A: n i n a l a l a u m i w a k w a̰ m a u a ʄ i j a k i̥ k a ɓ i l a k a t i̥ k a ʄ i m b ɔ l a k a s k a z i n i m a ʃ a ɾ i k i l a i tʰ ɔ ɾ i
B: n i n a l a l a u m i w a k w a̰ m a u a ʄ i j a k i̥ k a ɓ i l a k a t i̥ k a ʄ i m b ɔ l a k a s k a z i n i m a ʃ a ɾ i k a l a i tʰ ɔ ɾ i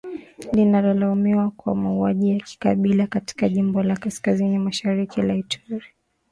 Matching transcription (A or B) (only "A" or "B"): A